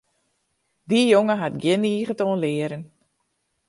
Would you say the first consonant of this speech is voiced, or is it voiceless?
voiced